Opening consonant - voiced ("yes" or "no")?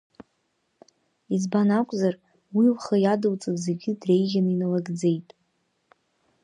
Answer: yes